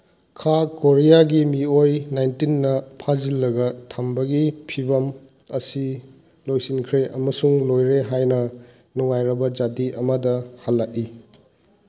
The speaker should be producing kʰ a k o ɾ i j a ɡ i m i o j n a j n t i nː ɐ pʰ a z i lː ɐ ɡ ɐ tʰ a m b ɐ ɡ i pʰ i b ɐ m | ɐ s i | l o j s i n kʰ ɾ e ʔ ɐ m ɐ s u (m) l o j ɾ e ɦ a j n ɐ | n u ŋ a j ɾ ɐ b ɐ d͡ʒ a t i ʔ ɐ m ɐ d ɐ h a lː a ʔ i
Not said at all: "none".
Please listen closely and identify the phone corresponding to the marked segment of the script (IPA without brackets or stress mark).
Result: ŋ